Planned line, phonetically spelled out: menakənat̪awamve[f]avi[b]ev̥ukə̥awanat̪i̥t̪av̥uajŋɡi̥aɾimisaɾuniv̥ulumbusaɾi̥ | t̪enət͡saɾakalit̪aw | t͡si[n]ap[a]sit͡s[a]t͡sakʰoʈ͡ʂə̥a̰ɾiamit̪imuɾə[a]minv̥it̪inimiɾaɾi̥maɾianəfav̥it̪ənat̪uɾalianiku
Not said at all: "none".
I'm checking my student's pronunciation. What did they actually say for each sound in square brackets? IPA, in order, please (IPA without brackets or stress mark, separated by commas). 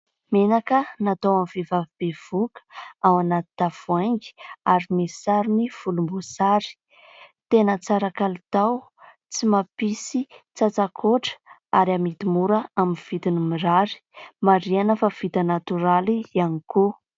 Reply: v, b, m, i, a, a